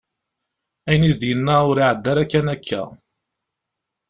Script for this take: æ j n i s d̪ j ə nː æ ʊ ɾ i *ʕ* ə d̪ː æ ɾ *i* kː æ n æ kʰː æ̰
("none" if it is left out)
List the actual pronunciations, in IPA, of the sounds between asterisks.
ʕ, æ

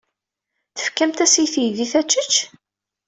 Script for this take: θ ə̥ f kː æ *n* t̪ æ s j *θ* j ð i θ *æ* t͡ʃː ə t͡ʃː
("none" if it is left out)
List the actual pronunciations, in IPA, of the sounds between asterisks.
m, θ, æ

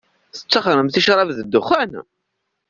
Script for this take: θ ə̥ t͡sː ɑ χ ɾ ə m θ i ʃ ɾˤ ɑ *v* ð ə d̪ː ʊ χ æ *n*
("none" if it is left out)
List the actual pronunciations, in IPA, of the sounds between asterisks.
v, n

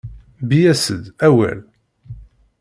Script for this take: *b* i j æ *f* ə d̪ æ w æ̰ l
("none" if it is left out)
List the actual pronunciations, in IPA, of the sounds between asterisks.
b, s

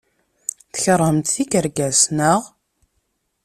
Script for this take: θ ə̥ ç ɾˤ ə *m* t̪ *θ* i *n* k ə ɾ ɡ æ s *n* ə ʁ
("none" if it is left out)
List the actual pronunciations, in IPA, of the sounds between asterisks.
m, θ, none, n

